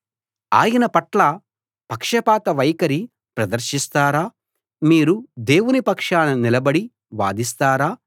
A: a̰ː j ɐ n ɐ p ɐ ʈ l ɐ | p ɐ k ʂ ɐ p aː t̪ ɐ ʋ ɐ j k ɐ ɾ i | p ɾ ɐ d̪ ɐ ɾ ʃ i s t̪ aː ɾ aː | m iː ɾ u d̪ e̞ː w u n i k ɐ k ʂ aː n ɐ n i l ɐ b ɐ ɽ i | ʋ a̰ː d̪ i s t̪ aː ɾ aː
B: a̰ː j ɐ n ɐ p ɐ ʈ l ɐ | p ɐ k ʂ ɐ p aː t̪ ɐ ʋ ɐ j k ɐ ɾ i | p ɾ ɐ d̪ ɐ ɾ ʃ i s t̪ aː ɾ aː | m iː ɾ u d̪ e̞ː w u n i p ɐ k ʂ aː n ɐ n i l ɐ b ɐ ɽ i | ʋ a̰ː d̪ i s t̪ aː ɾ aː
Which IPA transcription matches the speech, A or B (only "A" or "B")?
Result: B